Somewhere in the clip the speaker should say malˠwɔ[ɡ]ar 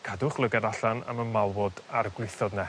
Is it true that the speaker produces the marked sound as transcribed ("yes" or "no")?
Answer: no